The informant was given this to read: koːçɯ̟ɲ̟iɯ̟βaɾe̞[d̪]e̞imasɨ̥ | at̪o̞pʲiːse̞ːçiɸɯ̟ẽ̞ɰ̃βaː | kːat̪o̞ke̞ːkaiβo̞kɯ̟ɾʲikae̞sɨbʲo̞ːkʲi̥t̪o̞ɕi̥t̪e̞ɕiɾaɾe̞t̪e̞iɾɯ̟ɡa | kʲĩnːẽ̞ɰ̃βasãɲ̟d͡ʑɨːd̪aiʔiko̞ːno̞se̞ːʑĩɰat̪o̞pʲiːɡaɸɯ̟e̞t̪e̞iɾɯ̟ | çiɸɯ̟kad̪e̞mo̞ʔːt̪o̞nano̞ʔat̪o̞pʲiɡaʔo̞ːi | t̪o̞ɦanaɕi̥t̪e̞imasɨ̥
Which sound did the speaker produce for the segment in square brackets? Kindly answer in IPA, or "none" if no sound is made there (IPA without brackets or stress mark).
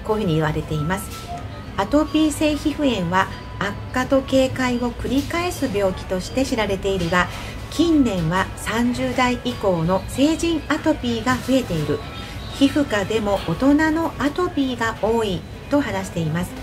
t̪